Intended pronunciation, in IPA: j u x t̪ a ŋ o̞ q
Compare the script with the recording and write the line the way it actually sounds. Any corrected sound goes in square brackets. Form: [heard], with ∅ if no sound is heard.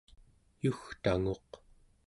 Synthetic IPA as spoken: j u x t̪ a ŋ o̞ q

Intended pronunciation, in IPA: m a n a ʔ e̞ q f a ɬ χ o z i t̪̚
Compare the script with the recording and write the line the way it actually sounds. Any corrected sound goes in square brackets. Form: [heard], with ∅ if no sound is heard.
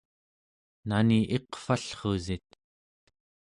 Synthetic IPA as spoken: [n] a n [i] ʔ e̞ q f a ɬ χ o z i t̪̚

